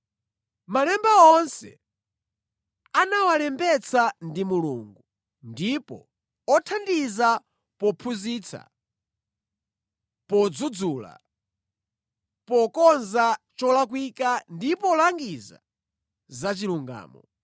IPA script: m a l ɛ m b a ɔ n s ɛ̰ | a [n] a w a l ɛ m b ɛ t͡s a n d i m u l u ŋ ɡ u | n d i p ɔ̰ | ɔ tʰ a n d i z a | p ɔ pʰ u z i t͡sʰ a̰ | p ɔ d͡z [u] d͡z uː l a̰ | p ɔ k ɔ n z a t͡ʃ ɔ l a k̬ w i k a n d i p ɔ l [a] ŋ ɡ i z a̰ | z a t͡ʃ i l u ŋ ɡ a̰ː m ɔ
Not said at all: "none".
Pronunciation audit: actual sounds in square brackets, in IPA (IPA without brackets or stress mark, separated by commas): n, u, a